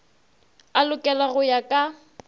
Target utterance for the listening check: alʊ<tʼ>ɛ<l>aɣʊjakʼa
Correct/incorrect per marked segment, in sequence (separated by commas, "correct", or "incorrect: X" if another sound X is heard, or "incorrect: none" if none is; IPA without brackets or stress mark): incorrect: kʼ, correct